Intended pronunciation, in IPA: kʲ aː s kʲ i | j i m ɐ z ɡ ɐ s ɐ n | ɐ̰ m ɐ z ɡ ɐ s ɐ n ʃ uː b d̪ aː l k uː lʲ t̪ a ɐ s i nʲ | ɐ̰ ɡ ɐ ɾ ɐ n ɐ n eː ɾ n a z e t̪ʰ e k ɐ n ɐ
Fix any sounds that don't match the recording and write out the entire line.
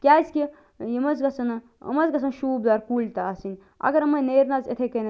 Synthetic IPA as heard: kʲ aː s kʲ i | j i m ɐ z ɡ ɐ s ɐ n | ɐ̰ m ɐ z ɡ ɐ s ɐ n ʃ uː b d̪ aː ɾ k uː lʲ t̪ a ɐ s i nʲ | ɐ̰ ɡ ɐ ɾ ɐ m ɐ n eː ɾ n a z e t̪ʰ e k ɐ n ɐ